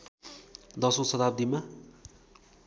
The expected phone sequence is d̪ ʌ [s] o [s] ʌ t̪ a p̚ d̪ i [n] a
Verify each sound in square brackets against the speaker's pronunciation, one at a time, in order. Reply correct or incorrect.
correct, correct, incorrect

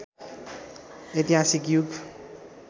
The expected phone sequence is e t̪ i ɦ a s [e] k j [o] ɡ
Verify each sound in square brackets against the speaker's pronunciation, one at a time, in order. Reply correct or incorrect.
incorrect, incorrect

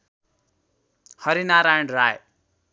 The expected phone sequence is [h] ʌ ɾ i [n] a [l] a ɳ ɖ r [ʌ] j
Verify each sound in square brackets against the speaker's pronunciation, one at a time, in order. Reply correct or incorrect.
correct, correct, incorrect, incorrect

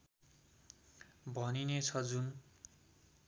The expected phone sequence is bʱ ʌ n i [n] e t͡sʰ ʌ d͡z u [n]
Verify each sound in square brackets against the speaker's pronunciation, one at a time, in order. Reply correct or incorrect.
correct, correct

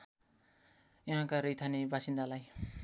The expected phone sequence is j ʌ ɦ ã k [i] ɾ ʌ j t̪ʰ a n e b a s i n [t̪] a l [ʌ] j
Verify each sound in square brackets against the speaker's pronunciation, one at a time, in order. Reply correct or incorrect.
incorrect, incorrect, incorrect

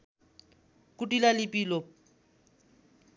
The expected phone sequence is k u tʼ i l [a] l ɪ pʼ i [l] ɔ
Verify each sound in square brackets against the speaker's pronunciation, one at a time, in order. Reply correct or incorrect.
correct, correct

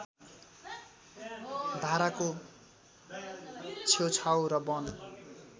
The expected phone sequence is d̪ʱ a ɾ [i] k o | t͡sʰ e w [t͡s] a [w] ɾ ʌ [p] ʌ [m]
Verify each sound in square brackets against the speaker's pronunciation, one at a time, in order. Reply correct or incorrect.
incorrect, incorrect, correct, incorrect, incorrect

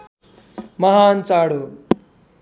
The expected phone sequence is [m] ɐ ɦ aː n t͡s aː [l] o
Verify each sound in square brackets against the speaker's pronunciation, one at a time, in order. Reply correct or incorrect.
correct, incorrect

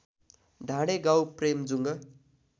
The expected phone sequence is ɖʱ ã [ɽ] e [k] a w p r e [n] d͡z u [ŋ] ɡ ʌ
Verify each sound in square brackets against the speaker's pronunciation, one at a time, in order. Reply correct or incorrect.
correct, incorrect, incorrect, correct

